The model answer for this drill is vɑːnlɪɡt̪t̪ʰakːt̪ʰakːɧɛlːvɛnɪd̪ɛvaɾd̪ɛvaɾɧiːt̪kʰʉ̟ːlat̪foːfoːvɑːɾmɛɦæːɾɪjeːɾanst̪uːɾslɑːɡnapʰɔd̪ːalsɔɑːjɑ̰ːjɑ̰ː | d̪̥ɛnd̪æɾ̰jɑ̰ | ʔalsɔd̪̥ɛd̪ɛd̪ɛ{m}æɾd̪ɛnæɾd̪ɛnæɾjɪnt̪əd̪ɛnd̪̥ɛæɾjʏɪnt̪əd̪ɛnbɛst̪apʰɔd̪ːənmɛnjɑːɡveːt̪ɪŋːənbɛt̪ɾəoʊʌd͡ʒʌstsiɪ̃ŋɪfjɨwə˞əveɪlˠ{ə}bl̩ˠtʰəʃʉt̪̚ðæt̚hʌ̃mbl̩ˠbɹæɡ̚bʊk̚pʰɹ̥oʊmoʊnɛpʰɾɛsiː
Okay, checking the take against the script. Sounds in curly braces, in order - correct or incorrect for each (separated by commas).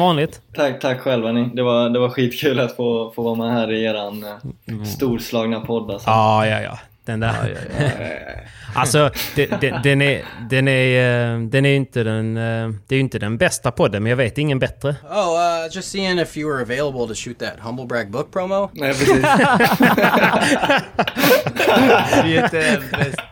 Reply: incorrect, correct